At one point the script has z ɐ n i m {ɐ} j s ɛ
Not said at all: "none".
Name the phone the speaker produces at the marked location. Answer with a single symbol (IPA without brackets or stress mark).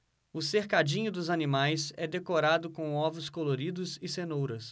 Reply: a